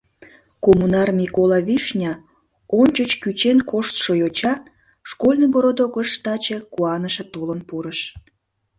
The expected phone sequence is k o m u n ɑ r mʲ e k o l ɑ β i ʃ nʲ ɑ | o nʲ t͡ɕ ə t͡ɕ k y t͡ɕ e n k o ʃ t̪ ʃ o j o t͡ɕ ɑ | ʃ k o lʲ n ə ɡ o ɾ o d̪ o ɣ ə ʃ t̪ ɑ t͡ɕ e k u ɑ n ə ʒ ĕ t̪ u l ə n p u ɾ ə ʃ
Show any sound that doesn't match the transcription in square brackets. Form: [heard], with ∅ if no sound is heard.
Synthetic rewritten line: k o m u n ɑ r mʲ [i] k o l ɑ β i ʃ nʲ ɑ | o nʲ t͡ɕ ə t͡ɕ k y t͡ɕ e n k o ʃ t̪ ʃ o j o t͡ɕ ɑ | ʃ k o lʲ n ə ɡ o ɾ o d̪ o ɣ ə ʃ t̪ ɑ t͡ɕ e k u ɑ n ə [ʃ] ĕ t̪ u l ə n p u ɾ ə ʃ

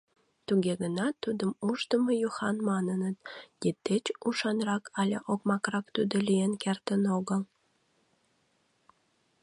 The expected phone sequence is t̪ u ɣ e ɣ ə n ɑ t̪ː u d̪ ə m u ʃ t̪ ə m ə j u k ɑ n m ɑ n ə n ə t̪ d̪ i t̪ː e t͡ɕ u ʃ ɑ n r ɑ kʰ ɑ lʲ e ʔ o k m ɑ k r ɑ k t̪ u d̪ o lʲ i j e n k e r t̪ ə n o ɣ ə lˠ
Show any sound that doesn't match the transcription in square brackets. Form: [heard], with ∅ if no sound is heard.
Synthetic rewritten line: t̪ u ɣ e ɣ ə n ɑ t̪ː u d̪ ə m u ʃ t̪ ə m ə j u [x] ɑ n m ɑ n ə n ə t̪ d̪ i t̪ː e t͡ɕ u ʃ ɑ n r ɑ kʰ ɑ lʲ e ʔ o k m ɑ k r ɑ k t̪ u d̪ o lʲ i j e n k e r t̪ ə n o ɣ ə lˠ

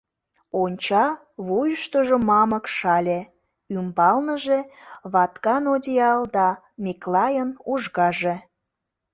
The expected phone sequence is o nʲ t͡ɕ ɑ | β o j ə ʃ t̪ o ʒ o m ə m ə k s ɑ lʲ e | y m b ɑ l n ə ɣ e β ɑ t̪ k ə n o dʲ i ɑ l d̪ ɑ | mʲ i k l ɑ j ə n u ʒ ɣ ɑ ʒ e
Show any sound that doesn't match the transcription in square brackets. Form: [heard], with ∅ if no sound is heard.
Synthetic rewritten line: o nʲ t͡ɕ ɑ | β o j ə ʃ t̪ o ʒ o m [ɑ] m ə k [ʃ] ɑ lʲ e | y m b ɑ l n ə [ʒ] e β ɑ t̪ k [ɑ] n o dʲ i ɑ l d̪ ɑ | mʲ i k l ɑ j ə n u ʒ ɣ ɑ ʒ e

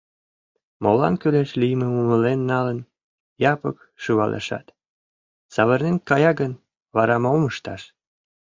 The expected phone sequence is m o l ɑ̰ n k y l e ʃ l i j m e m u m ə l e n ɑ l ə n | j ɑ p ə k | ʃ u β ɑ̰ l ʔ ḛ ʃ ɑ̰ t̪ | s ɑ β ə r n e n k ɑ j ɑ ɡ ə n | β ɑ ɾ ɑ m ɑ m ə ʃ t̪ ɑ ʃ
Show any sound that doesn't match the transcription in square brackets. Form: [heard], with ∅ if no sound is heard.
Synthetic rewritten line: m o l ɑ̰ n k y l e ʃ l i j m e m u m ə l e [nː] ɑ l ə n | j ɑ p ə k | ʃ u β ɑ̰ l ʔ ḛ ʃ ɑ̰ t̪ | s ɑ β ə r n e n k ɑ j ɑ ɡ ə n | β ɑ ɾ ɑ m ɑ m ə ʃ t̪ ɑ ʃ

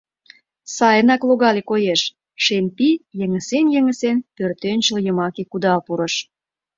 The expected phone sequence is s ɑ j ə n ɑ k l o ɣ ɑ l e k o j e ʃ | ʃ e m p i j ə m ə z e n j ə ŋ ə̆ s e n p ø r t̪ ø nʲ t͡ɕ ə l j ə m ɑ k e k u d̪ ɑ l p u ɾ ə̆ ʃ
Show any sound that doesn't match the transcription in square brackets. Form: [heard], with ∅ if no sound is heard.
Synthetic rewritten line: s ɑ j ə n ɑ k l o ɣ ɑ l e k o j e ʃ | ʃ e m p i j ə [ŋ] ə [s] e n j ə ŋ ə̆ s e n p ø r t̪ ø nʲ t͡ɕ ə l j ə m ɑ k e k u d̪ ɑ l p u ɾ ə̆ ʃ

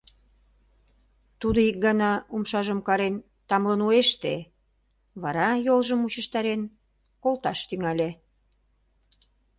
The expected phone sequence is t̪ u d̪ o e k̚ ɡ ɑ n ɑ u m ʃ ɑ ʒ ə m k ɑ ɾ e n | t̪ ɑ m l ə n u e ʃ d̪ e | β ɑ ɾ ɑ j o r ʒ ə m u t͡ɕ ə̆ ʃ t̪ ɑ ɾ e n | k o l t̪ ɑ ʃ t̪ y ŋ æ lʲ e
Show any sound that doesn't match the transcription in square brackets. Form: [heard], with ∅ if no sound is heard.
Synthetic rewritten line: t̪ u d̪ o [i] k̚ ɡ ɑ n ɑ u m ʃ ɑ ʒ ə m k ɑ ɾ e n | t̪ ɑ m l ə n u e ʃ [t̪] e | β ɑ ɾ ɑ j o [l] ʒ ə m u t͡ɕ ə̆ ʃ t̪ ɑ ɾ e n | k o l t̪ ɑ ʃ t̪ y ŋ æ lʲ e

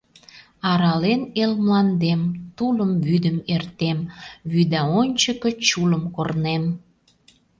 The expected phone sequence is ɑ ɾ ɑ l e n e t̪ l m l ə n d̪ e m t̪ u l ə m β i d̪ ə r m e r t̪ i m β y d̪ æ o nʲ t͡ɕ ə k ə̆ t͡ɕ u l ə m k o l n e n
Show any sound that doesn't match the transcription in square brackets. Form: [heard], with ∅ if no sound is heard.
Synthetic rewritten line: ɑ ɾ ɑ l e n e [∅] l m l [ɑ] n d̪ e m t̪ u l ə m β [y] d̪ ə [∅] m e r t̪ [e] m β y d̪ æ o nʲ t͡ɕ ə k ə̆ t͡ɕ u l ə m k o [r] n e [m]

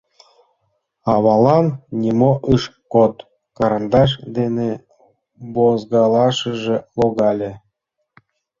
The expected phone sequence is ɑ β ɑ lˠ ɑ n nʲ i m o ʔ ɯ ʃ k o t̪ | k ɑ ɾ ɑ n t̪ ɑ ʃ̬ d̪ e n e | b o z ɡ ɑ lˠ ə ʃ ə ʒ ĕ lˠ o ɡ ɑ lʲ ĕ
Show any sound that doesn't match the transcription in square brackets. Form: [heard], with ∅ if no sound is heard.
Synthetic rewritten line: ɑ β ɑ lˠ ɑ n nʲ i m o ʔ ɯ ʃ k o t̪ | k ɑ ɾ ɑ n [d̪] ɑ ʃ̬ d̪ e n e | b o z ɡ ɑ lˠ [ɑ] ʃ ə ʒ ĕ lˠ o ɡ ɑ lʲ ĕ

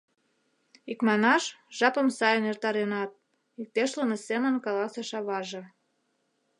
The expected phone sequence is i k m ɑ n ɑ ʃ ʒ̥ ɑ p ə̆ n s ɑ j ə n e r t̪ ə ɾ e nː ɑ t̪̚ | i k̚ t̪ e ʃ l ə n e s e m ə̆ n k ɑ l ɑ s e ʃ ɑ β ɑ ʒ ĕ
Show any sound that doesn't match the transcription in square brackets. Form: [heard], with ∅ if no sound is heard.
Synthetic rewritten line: i k m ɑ n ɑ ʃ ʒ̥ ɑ p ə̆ [m] s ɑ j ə n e r t̪ [ɑ] ɾ e [n] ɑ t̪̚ | i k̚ t̪ e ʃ l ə n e s e m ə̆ n k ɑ l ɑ s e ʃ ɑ β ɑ ʒ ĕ

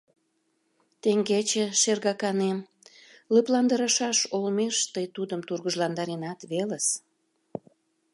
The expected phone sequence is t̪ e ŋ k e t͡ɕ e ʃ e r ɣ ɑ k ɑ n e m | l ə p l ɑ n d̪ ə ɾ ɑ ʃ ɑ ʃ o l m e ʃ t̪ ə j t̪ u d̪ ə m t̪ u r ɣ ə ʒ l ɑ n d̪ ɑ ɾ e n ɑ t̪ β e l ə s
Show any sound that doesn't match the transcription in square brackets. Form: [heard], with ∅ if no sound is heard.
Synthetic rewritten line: t̪ e ŋ [ɡ] e t͡ɕ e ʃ e r ɣ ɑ k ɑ n e m | l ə p l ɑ n d̪ ə ɾ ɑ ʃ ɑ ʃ o l m e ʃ t̪ ə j t̪ u d̪ ə m t̪ u r ɣ ə ʒ l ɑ n d̪ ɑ ɾ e n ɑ t̪ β e l ə s

